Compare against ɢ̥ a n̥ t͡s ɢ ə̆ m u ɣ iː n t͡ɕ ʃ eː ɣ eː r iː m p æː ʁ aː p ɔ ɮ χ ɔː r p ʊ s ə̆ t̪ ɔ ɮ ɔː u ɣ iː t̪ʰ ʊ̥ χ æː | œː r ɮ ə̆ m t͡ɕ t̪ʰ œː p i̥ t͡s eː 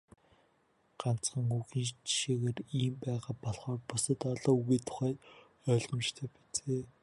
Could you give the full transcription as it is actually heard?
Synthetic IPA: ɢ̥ a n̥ t͡s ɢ ə̆ ŋ u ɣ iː n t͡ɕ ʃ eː ɣ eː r iː m p æː ʁ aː p ɔ ɮ χ ɔː r p ʊ s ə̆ t̪ ɔ ɮ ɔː u ɣ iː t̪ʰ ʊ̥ χ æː | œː ɮ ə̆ m t͡ɕ t̪ʰ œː p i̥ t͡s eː